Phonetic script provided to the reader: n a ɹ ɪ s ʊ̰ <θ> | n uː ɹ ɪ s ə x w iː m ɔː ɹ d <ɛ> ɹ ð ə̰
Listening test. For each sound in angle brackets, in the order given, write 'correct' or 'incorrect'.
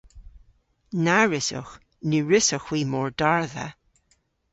incorrect: x, incorrect: a

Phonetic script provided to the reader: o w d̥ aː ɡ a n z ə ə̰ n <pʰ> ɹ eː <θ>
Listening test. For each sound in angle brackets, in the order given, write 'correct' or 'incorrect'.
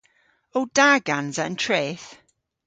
incorrect: tʰ, correct

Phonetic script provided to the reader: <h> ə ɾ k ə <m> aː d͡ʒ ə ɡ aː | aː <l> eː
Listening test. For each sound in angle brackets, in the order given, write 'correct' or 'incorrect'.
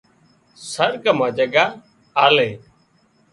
incorrect: s, correct, correct

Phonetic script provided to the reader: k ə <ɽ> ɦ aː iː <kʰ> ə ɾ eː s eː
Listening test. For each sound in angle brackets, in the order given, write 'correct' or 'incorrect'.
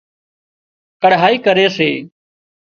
correct, incorrect: k

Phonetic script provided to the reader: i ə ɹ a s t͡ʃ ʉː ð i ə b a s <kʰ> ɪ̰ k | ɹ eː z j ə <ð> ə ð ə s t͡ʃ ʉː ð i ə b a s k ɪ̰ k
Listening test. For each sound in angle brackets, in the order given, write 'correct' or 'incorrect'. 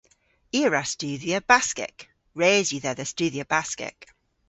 incorrect: k, correct

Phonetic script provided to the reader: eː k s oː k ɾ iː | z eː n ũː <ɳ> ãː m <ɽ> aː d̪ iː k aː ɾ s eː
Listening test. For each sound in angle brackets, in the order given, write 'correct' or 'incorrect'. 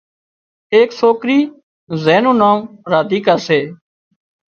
incorrect: n, incorrect: ɾ

